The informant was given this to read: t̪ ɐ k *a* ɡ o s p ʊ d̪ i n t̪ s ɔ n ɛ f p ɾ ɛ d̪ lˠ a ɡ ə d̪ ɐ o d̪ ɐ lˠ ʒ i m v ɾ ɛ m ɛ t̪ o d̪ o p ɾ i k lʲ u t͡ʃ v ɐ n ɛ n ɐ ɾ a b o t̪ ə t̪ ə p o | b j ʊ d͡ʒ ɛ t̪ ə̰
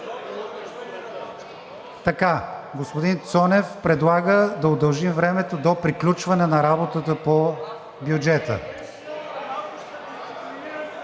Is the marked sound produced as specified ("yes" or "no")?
yes